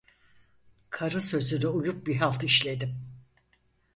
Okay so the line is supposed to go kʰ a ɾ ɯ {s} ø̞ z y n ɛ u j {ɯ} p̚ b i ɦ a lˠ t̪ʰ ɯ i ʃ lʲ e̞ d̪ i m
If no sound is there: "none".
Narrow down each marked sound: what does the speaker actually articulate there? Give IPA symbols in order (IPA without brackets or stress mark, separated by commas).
s, u